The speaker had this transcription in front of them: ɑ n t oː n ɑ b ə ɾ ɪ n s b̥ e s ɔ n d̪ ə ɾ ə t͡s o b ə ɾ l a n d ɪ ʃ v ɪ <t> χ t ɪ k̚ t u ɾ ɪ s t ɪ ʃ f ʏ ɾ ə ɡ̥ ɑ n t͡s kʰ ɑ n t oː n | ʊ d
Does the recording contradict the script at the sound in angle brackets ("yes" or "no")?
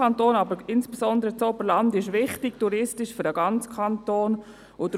yes